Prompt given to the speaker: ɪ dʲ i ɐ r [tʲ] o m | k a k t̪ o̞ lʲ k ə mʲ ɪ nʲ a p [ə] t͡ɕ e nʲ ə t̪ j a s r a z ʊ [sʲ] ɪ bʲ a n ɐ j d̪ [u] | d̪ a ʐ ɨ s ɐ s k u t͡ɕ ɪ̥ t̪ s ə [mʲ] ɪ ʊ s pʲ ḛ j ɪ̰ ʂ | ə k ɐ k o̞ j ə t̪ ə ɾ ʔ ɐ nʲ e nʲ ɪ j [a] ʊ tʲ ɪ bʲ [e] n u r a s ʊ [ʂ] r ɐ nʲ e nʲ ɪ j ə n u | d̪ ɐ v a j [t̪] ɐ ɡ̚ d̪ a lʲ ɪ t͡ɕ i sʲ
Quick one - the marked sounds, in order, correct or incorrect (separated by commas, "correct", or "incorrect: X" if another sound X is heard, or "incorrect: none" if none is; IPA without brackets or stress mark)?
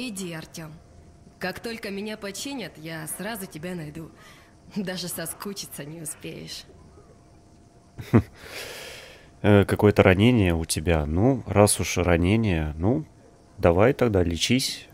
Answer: correct, incorrect: ɐ, incorrect: tʲ, correct, incorrect: nʲ, incorrect: ə, incorrect: a, correct, correct